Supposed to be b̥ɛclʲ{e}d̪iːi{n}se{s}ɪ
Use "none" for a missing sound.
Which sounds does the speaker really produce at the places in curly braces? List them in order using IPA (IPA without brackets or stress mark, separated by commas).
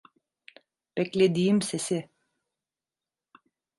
e, m, s